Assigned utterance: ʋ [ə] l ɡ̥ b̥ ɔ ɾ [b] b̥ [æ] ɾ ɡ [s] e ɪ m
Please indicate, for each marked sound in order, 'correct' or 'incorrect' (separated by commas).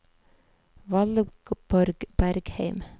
incorrect, incorrect, correct, incorrect